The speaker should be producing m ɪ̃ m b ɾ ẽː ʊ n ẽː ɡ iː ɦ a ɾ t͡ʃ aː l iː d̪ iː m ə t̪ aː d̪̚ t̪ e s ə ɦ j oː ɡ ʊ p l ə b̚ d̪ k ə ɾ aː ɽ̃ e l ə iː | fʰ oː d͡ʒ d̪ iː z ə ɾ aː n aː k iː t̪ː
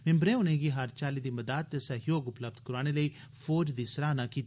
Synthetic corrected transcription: m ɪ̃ m b ɾ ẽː ʊ n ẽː ɡ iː ɦ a ɾ t͡ʃ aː l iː d̪ iː m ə d̪ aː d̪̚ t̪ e s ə ɦ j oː ɡ ʊ p l ə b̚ d̪ k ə ɾ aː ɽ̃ e l ə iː | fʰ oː d͡ʒ d̪ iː s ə ɾ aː n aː k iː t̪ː